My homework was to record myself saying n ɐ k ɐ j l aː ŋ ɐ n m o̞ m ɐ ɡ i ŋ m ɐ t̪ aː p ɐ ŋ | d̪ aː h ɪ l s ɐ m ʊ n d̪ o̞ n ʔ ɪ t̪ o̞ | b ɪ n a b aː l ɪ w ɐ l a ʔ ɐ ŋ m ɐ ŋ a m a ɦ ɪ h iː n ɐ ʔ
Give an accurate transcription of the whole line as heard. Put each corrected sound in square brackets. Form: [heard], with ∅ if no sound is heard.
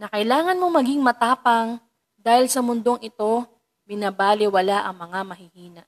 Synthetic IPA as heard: n ɐ k ɐ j l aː ŋ ɐ n m o̞ m ɐ ɡ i ŋ m ɐ t̪ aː p ɐ ŋ | d̪ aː h ɪ l s ɐ m ʊ n d̪ o̞ [ŋ] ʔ ɪ t̪ o̞ | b ɪ n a b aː l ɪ w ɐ l a ʔ ɐ ŋ m ɐ ŋ a m [ɐ] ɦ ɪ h iː n ɐ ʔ